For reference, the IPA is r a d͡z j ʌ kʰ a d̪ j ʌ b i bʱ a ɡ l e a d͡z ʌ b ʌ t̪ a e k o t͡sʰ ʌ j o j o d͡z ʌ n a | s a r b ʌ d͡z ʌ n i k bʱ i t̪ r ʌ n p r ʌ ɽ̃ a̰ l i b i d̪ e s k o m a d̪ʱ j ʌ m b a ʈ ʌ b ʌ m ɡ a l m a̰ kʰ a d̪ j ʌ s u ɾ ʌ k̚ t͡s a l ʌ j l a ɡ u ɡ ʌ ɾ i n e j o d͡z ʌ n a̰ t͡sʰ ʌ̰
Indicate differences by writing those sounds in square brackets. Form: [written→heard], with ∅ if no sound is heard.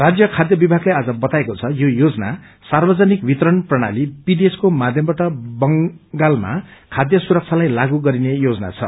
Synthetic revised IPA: r a d͡z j ʌ kʰ a d̪ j ʌ b i bʱ a ɡ l e a d͡z ʌ b ʌ t̪ a e k o t͡sʰ ʌ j o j o d͡z ʌ n a | s a r b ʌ d͡z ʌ n i k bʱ i t̪ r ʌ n p r ʌ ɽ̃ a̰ l i b i d̪ e s k o m a d̪ʱ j ʌ m b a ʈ ʌ b ʌ [m→ŋ] ɡ a l m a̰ kʰ a d̪ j ʌ s u ɾ ʌ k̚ [t͡s→t͡sʰ] a l [ʌ→a] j l a ɡ u ɡ ʌ ɾ i n e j o d͡z ʌ n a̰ t͡sʰ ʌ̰